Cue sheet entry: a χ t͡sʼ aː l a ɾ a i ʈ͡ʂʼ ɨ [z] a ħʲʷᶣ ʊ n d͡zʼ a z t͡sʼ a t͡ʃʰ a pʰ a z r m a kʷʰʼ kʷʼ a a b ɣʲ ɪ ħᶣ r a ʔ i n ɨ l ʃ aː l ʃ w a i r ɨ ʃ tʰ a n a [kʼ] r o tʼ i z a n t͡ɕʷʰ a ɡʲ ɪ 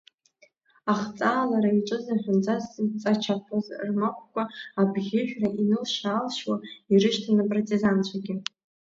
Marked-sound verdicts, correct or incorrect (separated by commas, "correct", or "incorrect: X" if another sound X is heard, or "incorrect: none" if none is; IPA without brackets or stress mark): correct, incorrect: pʼ